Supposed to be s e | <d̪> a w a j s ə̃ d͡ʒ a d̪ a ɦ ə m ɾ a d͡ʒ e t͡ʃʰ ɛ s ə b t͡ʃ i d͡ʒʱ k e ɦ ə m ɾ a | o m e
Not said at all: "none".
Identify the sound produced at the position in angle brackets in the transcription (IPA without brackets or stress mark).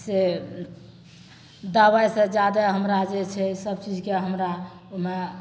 d̪